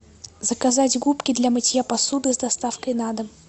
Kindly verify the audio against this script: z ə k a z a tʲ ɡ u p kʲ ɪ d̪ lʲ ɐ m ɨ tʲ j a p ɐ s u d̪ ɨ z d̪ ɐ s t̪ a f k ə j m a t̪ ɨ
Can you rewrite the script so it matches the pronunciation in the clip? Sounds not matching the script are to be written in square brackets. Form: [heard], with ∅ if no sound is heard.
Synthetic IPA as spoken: z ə k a z a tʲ ɡ u p kʲ ɪ d̪ lʲ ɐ m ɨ tʲ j a p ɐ s u d̪ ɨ z d̪ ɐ s t̪ a f k ə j [n] a [d̪] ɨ